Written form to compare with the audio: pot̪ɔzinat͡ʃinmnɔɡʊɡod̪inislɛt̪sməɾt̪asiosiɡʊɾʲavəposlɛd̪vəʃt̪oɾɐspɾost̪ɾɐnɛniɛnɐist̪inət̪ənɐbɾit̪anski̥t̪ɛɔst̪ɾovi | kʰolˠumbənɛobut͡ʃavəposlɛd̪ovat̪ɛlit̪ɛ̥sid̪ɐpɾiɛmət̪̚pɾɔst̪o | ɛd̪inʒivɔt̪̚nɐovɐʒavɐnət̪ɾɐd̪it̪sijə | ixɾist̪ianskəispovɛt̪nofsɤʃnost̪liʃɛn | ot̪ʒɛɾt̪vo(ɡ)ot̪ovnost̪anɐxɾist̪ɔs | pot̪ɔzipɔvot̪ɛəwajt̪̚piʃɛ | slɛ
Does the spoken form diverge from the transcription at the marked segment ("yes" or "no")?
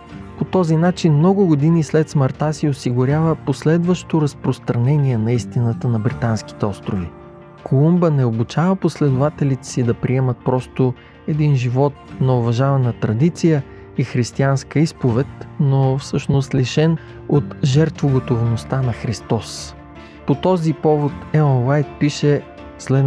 no